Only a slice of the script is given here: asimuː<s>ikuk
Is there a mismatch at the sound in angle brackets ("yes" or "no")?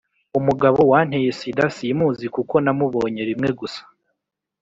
yes